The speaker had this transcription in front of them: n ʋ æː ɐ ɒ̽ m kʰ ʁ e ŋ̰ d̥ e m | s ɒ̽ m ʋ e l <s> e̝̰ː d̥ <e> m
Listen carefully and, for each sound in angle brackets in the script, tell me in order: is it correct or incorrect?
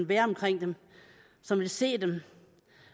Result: correct, correct

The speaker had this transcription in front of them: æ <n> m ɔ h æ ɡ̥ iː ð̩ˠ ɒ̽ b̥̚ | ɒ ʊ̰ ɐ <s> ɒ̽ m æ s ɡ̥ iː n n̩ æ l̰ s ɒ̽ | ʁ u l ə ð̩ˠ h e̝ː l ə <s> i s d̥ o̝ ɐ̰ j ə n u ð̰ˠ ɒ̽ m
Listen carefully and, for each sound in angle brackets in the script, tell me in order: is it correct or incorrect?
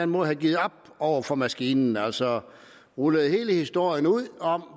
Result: correct, incorrect: f, incorrect: h

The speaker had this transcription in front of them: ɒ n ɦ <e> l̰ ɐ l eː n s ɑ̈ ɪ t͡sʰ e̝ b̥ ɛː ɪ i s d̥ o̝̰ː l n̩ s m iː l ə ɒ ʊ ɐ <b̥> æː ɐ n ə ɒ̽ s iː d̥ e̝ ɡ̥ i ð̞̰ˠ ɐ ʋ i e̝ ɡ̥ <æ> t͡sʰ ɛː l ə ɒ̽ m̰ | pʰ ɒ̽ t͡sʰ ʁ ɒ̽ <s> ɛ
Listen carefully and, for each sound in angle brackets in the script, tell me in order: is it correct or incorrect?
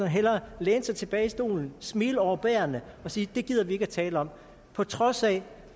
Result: correct, correct, correct, correct

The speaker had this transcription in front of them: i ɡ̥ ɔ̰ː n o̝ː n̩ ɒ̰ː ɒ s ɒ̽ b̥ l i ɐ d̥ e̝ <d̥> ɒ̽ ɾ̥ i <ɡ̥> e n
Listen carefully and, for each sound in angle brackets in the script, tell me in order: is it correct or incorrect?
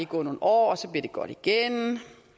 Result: incorrect: ɡ̥, correct

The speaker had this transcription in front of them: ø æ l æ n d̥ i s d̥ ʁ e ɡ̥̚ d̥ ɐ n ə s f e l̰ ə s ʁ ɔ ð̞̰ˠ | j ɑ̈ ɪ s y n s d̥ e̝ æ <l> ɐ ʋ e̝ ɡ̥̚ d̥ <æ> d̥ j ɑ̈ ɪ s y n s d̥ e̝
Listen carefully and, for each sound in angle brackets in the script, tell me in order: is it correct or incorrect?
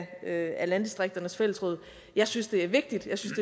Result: incorrect: none, incorrect: i

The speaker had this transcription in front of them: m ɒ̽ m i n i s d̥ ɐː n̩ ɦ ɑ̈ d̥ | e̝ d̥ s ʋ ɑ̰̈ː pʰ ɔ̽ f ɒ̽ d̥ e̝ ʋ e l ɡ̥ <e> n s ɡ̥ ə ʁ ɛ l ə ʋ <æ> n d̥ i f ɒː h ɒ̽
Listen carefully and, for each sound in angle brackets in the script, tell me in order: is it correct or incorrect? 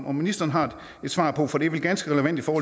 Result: incorrect: æ, correct

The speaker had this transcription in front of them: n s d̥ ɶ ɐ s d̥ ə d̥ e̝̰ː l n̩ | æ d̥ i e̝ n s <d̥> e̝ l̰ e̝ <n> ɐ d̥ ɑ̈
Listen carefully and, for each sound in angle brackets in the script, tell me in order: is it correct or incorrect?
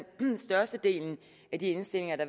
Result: correct, incorrect: ŋ

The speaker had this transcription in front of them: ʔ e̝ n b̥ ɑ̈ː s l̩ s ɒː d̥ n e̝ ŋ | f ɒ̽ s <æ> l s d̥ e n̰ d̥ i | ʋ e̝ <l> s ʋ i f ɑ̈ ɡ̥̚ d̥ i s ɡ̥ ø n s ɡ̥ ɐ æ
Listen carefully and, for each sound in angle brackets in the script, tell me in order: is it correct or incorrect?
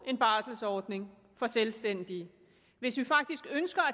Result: incorrect: e, incorrect: none

